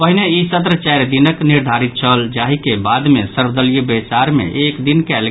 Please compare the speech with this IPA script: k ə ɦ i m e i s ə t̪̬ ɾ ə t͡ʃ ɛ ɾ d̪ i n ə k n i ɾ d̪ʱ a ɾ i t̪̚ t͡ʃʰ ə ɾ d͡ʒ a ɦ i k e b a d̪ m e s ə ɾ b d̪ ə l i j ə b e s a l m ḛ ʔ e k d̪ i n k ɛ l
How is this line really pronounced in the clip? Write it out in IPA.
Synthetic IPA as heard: p ə ɦ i n e i s ə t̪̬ ɾ ə t͡ʃ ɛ ɾ d̪ i n ə k n i ɾ d̪ʱ a ɾ i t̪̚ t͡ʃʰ ə l d͡ʒ a ɦ i k e b a d̪ m e s ə ɾ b d̪ ə l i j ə b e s a ɾ m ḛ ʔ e k d̪ i n k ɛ l